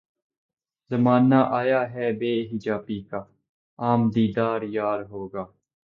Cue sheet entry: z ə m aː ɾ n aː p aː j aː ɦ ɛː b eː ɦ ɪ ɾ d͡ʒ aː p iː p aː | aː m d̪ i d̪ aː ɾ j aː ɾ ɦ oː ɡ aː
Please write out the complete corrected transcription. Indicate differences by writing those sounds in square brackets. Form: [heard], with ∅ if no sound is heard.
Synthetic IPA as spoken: z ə m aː [∅] n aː [ʔ] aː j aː ɦ ɛː b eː ɦ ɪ [∅] d͡ʒ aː p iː [k] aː | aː m d̪ [iː] d̪ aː ɾ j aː ɾ ɦ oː ɡ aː